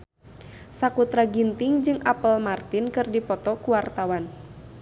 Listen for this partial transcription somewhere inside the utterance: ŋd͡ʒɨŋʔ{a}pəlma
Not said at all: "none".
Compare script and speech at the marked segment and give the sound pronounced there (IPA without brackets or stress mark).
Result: a